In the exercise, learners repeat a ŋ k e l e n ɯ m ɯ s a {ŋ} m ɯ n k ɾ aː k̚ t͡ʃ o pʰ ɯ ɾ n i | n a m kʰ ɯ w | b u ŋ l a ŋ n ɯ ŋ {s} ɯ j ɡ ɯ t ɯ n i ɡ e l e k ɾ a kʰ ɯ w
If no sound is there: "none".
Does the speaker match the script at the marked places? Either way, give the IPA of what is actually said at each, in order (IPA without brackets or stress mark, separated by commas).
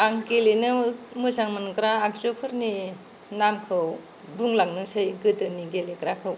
ŋ, s